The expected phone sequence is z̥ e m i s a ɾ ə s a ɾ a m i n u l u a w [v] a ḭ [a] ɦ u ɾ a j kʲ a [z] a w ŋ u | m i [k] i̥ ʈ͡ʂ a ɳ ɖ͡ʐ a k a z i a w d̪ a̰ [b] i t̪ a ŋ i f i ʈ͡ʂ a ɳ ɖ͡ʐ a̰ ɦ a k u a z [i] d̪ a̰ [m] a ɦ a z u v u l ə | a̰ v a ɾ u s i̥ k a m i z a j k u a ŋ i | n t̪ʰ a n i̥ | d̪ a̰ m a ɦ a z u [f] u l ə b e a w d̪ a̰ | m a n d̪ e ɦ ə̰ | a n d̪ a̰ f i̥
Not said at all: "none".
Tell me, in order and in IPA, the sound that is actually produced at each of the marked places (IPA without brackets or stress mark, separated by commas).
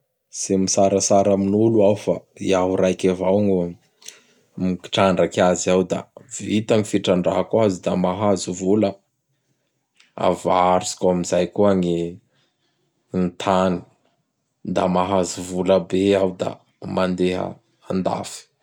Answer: f, a, v, k, v, i, m, v